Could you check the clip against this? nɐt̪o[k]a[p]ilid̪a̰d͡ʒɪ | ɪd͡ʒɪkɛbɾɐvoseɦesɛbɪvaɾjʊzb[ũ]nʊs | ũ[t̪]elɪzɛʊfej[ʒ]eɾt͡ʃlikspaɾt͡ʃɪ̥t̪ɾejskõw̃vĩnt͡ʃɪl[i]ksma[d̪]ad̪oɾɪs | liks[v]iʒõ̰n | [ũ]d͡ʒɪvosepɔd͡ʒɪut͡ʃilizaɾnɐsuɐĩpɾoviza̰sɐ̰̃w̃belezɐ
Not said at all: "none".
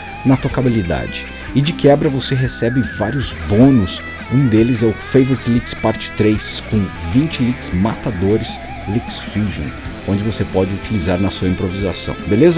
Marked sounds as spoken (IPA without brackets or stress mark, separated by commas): k, b, õ, d̪, v, i, t̪, f, õ